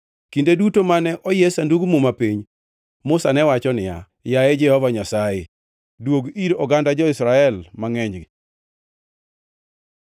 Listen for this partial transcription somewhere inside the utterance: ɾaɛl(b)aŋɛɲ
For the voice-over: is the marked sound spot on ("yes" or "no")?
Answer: no